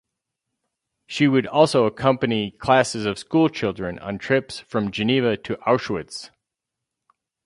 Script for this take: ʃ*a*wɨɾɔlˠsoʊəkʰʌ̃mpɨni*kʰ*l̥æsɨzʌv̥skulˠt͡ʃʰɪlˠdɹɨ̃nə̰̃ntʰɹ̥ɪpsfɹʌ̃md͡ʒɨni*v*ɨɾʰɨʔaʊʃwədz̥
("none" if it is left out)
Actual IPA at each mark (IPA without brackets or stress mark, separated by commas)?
i, kʰ, v